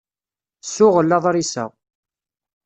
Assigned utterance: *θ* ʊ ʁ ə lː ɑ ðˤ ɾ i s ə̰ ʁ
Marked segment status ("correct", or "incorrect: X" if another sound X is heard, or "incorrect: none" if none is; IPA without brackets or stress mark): incorrect: s